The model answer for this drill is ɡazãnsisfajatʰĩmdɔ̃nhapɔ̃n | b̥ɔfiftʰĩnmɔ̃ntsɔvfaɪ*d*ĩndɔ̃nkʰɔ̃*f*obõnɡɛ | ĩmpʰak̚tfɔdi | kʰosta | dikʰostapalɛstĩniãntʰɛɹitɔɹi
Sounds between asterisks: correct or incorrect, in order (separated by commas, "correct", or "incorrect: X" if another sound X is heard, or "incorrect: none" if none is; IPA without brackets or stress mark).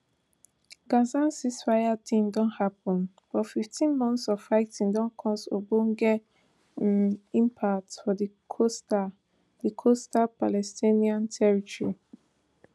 incorrect: t, incorrect: s